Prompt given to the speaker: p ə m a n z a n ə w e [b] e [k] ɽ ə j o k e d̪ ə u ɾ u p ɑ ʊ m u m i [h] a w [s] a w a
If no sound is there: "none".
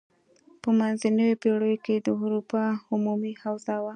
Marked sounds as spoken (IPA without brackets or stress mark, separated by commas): p, none, h, z